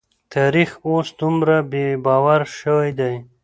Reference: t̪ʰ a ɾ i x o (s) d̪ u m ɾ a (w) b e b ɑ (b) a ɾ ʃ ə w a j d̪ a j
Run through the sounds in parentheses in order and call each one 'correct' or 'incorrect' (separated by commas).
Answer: correct, incorrect, incorrect